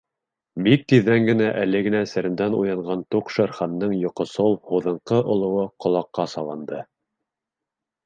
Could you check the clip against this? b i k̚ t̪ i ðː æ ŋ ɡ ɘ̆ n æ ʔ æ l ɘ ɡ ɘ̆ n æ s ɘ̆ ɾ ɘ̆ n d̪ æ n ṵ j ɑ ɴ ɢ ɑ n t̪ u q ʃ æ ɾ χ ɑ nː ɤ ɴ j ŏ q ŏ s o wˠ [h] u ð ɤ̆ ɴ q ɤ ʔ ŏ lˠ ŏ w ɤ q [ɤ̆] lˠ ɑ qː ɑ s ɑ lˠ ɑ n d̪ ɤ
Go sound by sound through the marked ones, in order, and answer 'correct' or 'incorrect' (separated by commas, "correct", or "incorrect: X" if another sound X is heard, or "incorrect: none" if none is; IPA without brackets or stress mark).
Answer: correct, incorrect: ŏ